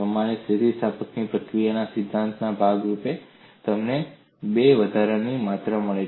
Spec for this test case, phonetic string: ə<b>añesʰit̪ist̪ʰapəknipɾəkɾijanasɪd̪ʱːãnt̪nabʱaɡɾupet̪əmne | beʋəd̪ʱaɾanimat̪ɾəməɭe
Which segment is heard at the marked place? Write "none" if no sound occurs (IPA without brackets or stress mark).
m